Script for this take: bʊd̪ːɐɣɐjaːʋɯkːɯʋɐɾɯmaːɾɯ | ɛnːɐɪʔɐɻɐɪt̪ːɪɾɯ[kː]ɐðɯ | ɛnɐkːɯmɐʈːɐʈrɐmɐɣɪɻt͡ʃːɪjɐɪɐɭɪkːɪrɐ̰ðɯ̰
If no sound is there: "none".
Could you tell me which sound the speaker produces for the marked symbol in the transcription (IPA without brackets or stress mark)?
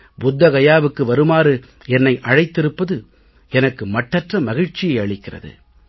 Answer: pː